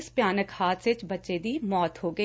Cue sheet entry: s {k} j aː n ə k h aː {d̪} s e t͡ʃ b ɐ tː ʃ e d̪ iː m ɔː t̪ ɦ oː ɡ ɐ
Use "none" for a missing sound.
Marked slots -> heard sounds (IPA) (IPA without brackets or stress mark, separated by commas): p, t̪